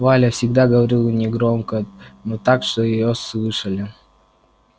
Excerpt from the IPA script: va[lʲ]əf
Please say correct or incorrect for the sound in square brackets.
correct